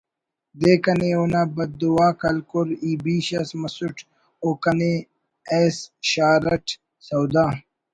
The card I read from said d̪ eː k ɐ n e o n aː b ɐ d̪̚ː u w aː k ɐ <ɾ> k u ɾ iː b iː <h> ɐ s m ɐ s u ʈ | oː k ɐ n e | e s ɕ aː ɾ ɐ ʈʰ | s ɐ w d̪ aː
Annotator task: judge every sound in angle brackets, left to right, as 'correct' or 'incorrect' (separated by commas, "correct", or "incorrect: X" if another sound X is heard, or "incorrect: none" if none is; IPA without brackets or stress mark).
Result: incorrect: l, incorrect: ɕ